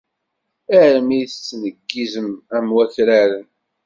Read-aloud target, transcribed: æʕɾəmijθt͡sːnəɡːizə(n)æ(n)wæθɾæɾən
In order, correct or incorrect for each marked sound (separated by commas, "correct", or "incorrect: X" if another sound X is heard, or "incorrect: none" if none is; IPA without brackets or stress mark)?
incorrect: m, incorrect: m